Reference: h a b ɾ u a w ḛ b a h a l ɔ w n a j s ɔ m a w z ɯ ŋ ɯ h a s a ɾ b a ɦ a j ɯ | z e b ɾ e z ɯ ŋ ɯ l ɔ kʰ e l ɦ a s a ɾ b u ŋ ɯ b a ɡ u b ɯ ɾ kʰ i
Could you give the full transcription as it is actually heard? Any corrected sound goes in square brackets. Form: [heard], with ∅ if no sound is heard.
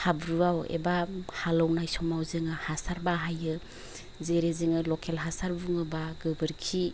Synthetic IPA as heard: h a b ɾ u a w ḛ b a h a l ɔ w n a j s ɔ m a w z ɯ ŋ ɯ h a s a ɾ b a ɦ a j ɯ | z e [∅] ɾ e z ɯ ŋ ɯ l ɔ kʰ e l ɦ a s a ɾ b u ŋ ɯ b a ɡ [ɯ] b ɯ ɾ kʰ i

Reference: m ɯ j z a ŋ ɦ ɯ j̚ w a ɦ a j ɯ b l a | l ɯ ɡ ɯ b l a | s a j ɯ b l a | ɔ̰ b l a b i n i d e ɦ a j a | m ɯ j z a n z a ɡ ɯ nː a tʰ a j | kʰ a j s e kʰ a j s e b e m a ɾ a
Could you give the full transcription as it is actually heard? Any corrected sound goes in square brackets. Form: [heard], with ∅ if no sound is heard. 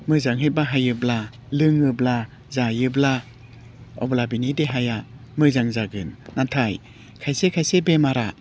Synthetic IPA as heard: m ɯ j z a ŋ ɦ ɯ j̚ [b] a ɦ a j ɯ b l a | l ɯ [ŋ] ɯ b l a | [z] a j ɯ b l a | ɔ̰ b l a b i n i d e ɦ a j a | m ɯ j z a [ŋ] z a ɡ ɯ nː a tʰ a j | kʰ a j s e kʰ a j s e b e m a ɾ a

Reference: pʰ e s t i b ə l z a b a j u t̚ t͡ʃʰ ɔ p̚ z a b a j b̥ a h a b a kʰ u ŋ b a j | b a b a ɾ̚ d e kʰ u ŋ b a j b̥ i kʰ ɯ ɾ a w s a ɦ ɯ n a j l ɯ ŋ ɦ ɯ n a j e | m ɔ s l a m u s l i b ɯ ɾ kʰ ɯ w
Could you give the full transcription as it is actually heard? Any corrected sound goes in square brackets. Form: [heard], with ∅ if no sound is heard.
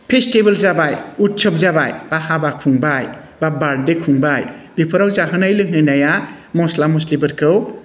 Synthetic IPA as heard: pʰ e s t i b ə l z a b a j u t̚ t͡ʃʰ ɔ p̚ z a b a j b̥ a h a b a kʰ u ŋ b a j | b a b a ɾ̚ d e kʰ u ŋ b a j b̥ i [pʰ] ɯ ɾ a w [z] a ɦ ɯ n a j l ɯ ŋ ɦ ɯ n a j [a] | m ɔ s l a m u s l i b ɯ ɾ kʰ ɯ w

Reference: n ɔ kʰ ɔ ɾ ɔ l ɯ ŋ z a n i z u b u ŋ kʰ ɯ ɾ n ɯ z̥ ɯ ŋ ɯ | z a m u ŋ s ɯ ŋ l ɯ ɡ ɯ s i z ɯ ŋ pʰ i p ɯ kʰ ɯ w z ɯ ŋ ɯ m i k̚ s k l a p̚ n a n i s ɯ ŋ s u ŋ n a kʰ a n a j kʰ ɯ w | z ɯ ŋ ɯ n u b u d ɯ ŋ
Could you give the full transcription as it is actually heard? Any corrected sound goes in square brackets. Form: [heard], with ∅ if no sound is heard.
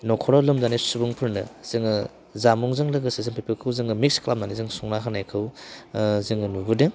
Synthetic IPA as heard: n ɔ kʰ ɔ ɾ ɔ l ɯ [m] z a n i [s] u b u ŋ [pʰ] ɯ ɾ n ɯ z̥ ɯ ŋ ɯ | z a m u ŋ [z] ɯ ŋ l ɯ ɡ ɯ s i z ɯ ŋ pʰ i p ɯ kʰ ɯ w z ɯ ŋ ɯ m i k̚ s k l a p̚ n a n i [z] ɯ ŋ s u ŋ n a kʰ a n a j kʰ ɯ w | z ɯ ŋ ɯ n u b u d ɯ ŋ

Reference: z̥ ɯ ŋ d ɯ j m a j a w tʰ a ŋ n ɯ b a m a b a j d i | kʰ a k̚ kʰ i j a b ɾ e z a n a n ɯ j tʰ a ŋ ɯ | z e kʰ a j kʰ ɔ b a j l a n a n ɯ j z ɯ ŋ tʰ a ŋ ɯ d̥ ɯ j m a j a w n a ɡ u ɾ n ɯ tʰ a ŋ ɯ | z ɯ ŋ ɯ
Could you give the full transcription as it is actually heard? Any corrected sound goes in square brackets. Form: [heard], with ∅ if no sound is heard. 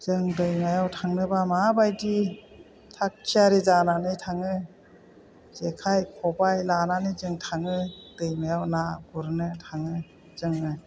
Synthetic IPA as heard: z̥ ɯ ŋ d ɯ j m a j a w tʰ a ŋ n ɯ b a m a b a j d i | [tʰ] a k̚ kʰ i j a [∅] ɾ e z a n a n ɯ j tʰ a ŋ ɯ | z e kʰ a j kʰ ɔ b a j l a n a n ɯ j z ɯ ŋ tʰ a ŋ ɯ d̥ ɯ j m a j a w n a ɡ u ɾ n ɯ tʰ a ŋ ɯ | z ɯ ŋ ɯ

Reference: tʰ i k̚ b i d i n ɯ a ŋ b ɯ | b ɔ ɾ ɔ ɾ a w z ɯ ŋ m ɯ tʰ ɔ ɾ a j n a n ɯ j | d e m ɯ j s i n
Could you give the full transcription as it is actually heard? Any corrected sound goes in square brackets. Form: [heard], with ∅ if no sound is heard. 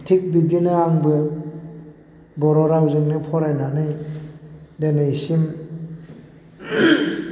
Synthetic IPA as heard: tʰ i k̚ b i d i n ɯ a ŋ b ɯ | b ɔ ɾ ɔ ɾ a w z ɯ ŋ [n] ɯ [pʰ] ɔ ɾ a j n a n ɯ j | d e [n] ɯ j s i [m]

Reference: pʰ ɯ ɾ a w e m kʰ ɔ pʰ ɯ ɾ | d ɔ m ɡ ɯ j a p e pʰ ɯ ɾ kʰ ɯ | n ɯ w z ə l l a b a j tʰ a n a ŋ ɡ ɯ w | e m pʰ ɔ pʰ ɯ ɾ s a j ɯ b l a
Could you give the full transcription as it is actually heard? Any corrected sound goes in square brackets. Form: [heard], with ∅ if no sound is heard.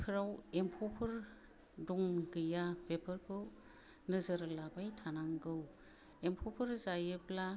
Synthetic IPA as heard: pʰ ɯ ɾ a w e m [pʰ] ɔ pʰ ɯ ɾ | d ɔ [ŋ] ɡ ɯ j a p e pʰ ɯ ɾ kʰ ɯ | n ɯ [∅] z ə [ɾ] l a b a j tʰ a n a ŋ ɡ ɯ w | e m pʰ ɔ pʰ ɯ ɾ [z] a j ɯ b l a

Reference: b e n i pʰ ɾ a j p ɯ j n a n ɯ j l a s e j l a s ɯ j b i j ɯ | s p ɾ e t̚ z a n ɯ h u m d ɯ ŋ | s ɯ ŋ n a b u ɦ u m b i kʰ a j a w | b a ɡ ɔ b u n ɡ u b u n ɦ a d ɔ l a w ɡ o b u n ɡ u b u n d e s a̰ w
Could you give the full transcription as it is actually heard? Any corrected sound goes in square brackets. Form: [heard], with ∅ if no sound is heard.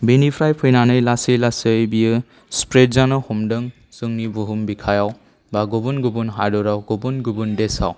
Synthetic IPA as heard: b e n i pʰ ɾ a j [pʰ] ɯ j n a n ɯ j l a s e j l a s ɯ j b i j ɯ | s p ɾ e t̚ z a n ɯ h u m d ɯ ŋ | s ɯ ŋ n [i] b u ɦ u m b i kʰ a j a w | b a ɡ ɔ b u n ɡ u b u n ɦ a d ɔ [ɾ] a w ɡ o b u n ɡ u b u n d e s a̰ w

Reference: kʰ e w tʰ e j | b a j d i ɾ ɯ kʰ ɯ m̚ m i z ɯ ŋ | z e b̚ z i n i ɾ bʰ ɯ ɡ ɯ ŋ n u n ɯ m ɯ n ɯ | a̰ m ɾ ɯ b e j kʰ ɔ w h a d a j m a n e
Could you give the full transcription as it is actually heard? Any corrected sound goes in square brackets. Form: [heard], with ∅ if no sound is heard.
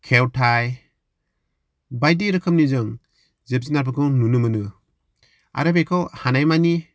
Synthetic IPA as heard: kʰ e w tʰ [a] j | b a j d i ɾ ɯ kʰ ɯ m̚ [n] i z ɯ ŋ | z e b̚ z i n [a] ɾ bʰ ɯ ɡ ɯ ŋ n u n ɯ m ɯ n ɯ | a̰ [∅] ɾ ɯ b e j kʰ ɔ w h a [n] a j m a n [i]

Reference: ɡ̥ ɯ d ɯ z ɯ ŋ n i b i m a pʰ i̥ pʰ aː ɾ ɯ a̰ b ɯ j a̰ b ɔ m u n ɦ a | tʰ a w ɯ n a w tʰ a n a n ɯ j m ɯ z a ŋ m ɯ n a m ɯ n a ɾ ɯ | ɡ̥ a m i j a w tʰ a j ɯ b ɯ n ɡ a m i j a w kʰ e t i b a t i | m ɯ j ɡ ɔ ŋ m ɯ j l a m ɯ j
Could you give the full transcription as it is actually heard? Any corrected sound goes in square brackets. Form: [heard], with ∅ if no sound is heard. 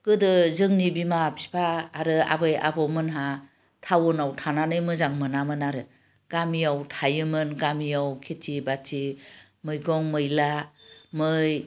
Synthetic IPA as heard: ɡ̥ ɯ d ɯ z ɯ ŋ n i b i m a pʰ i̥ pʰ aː ɾ ɯ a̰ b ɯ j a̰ b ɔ m [ɯ] n ɦ a | tʰ a w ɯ n a w tʰ a n a n ɯ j m ɯ z a ŋ m ɯ n a m ɯ n a ɾ ɯ | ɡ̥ a m i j a w tʰ a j ɯ [m] ɯ n ɡ a m i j a w kʰ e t i b a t i | m ɯ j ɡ ɔ ŋ m ɯ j l a m ɯ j

